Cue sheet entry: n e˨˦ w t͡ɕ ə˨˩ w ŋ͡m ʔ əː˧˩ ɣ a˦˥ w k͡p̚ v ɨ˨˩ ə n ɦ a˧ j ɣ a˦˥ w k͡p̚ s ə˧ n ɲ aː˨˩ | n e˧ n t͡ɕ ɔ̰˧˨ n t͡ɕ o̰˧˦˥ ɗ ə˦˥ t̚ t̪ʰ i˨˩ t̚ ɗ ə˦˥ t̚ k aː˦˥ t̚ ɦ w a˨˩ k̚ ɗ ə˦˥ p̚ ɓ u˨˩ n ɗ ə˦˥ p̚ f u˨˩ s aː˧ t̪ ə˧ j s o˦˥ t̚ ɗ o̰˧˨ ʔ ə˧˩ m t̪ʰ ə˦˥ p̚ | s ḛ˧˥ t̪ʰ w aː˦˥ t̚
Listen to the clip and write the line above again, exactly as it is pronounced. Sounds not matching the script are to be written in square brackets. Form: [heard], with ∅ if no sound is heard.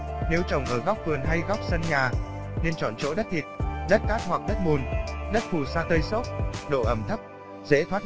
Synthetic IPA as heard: n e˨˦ w t͡ɕ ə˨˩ w ŋ͡m ʔ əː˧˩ ɣ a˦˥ w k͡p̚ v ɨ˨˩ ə n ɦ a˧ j ɣ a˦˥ w k͡p̚ s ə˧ n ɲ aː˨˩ | n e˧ n t͡ɕ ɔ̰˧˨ n t͡ɕ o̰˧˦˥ ɗ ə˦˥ t̚ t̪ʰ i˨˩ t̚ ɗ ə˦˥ t̚ k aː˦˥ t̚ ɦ w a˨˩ k̚ ɗ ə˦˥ [t̚] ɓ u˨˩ n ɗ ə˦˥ [t̚] f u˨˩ s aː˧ t̪ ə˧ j s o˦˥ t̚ ɗ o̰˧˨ ʔ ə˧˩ m t̪ʰ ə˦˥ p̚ | [z] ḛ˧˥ t̪ʰ w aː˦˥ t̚